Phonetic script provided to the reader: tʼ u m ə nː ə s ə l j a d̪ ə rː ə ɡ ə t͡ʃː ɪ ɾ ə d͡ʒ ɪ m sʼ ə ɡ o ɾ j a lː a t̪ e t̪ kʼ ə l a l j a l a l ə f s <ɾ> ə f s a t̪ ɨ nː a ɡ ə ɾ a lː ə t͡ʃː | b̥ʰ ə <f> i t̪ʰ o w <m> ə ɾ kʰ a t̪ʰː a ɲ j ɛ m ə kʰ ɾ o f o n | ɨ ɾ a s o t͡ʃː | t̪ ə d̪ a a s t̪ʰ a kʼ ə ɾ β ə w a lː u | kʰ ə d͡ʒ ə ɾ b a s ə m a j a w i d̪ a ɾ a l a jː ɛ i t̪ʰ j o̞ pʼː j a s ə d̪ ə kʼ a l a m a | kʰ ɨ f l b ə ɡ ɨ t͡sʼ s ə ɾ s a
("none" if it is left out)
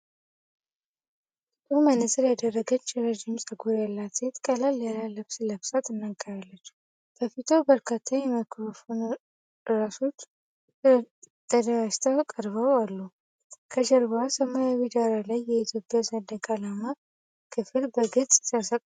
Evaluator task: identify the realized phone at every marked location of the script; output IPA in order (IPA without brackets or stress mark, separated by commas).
l, f, b